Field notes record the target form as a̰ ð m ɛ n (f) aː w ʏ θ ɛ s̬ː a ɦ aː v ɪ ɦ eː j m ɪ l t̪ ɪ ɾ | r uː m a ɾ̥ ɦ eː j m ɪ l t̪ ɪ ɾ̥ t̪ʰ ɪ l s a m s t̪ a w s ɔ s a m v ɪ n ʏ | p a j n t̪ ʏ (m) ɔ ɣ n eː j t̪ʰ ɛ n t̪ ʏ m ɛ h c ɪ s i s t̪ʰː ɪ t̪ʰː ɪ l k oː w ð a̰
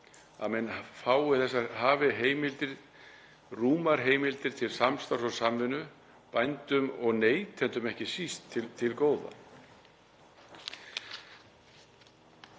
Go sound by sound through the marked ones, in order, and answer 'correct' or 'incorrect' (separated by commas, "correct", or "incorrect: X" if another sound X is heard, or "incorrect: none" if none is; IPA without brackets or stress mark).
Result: correct, correct